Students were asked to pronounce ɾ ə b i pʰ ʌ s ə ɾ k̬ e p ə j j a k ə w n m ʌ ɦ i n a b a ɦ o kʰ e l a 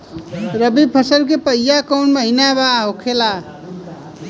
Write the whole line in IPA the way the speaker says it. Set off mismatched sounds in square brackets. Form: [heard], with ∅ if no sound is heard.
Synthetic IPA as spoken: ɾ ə b i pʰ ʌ s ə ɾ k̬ e p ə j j a k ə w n m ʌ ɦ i n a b a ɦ o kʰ e l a

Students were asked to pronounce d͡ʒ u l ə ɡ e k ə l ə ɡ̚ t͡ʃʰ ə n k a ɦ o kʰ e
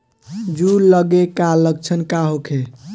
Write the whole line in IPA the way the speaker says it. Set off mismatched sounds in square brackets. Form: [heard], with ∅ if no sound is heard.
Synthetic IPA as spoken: d͡ʒ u l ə ɡ e k [a] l ə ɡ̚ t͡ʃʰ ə n k a ɦ o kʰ e

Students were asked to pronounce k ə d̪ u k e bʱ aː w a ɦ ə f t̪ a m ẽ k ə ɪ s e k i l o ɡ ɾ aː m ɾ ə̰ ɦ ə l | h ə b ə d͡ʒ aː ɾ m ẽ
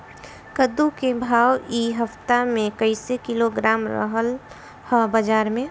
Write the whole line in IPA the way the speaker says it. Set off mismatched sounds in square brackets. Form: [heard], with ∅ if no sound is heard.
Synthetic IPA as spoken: k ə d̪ u k e bʱ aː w [i] ɦ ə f t̪ a m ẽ k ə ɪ s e k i l o ɡ ɾ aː m ɾ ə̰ ɦ ə l | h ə b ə d͡ʒ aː ɾ m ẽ

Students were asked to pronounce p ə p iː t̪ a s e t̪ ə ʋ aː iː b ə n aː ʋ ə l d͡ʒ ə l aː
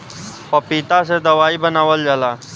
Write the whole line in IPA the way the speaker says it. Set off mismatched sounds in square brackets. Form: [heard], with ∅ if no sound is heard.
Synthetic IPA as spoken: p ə p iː t̪ a s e [d̪] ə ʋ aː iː b ə n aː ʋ ə l d͡ʒ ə l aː

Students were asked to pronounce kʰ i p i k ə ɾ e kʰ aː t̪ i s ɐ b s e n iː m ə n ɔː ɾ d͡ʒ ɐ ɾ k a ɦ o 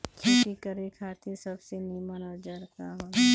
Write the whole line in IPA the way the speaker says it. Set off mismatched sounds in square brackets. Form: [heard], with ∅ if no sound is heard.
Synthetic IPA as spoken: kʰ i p i k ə ɾ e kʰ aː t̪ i s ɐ b s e n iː m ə n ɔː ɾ d͡ʒ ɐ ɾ k a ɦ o

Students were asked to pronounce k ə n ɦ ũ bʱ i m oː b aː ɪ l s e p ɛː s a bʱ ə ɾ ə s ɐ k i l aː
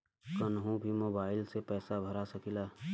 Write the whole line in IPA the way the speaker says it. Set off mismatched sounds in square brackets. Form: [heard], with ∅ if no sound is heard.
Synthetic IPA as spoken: k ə n ɦ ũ bʱ i m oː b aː ɪ l s e p ɛː s a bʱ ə ɾ [a] s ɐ k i l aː

